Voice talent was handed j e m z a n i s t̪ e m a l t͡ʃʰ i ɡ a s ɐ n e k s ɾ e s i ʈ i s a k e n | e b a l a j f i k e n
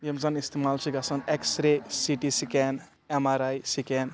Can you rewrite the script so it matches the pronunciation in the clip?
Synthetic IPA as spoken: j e m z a n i s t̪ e m a l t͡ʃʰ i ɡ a s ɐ n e k s ɾ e s i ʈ i s i k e n | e m a ɾ a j s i k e n